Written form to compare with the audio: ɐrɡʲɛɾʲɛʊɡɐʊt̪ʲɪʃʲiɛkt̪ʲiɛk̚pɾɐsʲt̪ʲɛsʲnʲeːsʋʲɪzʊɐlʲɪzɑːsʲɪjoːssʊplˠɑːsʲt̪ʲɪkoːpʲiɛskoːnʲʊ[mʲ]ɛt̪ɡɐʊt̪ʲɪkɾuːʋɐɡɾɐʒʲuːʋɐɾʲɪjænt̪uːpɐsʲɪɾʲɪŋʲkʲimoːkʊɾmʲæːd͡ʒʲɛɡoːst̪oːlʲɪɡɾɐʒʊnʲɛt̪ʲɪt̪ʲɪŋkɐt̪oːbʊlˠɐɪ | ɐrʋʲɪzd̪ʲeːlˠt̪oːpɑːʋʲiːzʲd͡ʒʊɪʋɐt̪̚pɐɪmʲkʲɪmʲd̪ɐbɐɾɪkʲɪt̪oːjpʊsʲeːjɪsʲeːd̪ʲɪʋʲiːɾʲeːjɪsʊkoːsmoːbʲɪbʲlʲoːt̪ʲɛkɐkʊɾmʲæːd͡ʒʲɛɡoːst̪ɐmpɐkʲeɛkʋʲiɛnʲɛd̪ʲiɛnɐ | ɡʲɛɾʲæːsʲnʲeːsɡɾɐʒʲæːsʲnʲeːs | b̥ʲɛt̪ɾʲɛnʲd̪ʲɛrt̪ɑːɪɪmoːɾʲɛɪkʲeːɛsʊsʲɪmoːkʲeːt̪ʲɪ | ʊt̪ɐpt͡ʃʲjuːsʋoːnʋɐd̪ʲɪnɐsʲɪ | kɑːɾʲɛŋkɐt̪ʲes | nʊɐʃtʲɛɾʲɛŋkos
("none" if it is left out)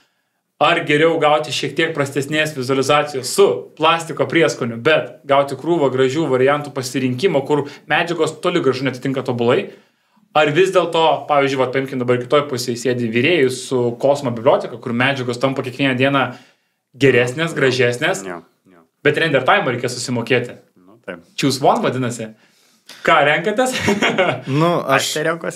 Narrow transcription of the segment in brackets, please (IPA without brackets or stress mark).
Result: bʲ